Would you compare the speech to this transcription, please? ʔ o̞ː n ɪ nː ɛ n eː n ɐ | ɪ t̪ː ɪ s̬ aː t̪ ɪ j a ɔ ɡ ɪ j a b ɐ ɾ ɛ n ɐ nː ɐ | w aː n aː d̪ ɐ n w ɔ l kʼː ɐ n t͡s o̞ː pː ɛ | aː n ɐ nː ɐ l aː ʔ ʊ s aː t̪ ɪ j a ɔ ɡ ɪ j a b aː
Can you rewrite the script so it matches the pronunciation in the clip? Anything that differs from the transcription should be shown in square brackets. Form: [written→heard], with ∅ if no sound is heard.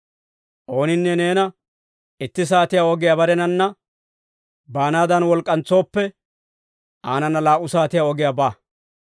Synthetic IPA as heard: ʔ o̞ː n ɪ nː ɛ n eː n ɐ | ɪ t̪ː ɪ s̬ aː t̪ ɪ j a ɔ ɡ ɪ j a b ɐ ɾ ɛ n ɐ nː ɐ | [w→b] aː n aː d̪ ɐ n w ɔ l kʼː ɐ n t͡s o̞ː pː ɛ | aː n ɐ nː ɐ l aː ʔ ʊ s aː t̪ ɪ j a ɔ ɡ ɪ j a b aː